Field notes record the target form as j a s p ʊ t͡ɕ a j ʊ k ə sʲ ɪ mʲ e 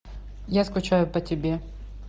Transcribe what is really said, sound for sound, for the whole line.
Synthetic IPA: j a s k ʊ t͡ɕ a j ʊ p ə tʲ ɪ bʲ e